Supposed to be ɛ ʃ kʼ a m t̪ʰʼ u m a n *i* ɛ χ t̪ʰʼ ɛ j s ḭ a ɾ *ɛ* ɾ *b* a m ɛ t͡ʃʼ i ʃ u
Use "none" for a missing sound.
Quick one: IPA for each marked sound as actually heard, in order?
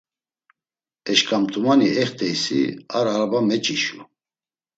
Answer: i, a, b

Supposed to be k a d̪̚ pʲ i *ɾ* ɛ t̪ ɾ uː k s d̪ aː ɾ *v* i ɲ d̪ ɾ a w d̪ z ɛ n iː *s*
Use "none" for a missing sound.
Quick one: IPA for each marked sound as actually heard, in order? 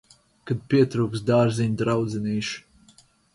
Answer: none, z, ʃ

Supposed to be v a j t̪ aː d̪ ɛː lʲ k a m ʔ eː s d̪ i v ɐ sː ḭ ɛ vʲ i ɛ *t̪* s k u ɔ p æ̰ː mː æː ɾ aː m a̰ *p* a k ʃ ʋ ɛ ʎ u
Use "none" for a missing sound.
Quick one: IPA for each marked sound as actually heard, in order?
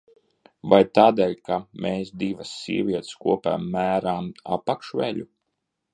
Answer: t̪, p

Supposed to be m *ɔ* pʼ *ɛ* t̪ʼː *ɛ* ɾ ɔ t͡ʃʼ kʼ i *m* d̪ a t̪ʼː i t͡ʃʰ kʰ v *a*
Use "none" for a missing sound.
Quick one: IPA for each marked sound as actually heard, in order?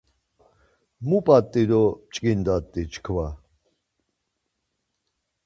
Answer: u, a, i, n, a

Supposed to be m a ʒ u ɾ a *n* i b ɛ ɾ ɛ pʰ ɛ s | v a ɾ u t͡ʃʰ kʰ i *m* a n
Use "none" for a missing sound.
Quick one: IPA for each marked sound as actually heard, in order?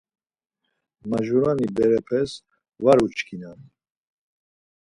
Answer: n, n

